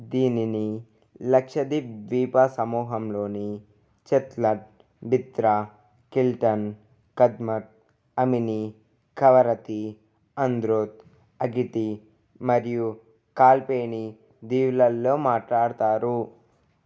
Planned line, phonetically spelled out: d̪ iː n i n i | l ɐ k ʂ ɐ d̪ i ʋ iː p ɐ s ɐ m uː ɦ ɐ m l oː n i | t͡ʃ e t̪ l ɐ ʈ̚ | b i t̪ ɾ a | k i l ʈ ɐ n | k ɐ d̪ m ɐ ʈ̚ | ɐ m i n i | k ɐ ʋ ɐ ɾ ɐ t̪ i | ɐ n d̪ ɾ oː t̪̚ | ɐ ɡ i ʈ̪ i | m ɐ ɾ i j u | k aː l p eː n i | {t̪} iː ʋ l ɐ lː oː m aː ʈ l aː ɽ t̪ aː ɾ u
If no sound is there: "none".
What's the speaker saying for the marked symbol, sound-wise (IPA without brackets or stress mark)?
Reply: d̪